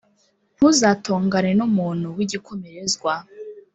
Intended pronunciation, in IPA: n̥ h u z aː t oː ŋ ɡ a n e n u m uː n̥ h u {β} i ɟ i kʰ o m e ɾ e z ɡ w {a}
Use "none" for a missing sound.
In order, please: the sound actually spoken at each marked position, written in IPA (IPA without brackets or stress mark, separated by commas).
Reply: w, a